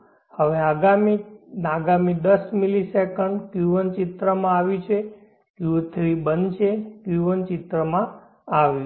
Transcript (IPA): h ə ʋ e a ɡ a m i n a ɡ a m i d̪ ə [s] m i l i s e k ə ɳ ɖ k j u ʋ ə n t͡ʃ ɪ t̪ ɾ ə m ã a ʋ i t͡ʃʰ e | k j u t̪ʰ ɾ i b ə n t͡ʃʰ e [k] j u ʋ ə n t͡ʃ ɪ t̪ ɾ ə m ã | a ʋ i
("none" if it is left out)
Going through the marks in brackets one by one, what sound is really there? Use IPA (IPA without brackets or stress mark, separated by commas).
s, k